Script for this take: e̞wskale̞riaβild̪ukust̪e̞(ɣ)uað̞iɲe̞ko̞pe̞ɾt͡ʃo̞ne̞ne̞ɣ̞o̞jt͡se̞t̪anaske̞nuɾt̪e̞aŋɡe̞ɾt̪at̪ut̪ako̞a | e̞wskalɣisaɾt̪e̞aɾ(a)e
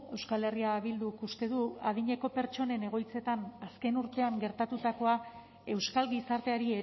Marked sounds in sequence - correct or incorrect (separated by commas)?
incorrect, incorrect